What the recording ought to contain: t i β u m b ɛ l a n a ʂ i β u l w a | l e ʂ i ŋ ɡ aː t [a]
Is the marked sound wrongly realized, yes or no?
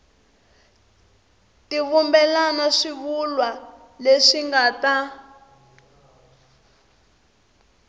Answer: no